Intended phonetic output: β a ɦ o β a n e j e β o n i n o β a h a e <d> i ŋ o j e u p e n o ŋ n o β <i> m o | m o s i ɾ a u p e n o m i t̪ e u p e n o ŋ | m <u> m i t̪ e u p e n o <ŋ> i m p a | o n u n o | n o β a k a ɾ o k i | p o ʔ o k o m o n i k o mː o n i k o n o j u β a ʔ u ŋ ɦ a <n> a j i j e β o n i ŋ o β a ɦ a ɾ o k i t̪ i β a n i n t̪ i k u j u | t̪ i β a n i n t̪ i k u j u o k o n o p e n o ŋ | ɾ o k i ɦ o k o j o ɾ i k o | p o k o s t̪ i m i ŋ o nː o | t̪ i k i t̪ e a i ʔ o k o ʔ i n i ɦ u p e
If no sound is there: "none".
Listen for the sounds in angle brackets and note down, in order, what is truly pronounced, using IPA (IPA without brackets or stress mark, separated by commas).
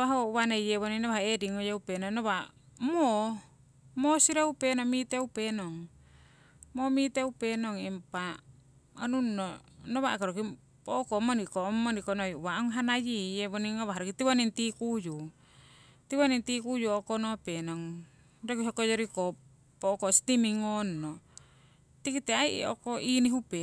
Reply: d, a, o, ŋ, n